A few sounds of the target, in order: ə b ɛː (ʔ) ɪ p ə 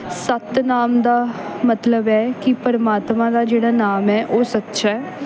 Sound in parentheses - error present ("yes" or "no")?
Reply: yes